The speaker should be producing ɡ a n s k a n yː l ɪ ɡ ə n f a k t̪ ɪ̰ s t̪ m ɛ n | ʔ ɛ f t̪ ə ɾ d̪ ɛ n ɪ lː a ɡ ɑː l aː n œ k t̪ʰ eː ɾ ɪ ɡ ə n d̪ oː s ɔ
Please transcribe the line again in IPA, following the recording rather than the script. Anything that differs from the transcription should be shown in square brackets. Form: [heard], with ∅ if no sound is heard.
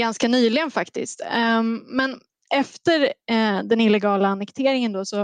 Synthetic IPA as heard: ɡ a n s k a n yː l ɪ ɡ ə n f a k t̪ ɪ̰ s t̪ m ɛ n | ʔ ɛ f t̪ ə ɾ d̪ ɛ n ɪ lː [ɛ] ɡ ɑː l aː n [ɛ] k t̪ʰ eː ɾ ɪ [ŋ] ə n d̪ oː s ɔ